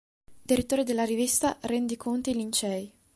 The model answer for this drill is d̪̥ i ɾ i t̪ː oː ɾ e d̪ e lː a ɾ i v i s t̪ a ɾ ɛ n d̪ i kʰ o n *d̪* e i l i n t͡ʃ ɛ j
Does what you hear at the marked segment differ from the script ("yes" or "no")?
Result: yes